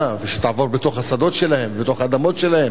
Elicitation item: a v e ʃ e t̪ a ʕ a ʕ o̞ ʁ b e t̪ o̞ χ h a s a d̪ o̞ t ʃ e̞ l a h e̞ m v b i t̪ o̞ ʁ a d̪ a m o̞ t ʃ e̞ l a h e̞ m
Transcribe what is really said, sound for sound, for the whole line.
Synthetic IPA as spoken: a v e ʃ e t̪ a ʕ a v o̞ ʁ b e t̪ o̞ χ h a s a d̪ o̞ t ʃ e̞ l a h e̞ m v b e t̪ o̞ χ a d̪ a m o̞ t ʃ e̞ l a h e̞ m